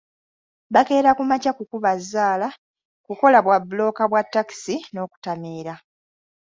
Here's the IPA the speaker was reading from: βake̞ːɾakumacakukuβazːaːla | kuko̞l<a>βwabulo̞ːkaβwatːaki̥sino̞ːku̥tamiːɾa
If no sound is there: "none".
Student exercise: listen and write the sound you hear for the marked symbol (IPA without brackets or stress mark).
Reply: a